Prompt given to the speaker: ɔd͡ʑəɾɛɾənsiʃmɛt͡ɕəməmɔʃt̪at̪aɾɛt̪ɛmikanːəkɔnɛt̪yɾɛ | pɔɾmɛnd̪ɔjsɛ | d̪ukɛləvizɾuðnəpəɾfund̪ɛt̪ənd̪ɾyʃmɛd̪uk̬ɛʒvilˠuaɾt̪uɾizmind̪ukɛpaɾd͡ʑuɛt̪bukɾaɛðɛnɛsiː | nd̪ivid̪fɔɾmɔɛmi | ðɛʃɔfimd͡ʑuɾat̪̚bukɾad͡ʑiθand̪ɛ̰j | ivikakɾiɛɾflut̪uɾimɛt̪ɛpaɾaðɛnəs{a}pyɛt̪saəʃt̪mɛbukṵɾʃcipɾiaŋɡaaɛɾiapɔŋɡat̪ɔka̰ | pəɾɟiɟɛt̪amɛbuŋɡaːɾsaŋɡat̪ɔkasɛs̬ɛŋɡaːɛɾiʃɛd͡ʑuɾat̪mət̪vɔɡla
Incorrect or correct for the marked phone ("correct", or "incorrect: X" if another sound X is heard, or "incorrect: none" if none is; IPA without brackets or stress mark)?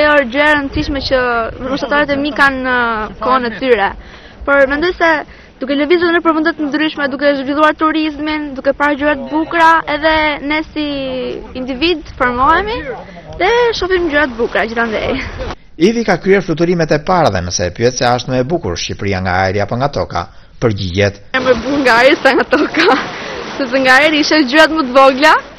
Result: incorrect: ɛ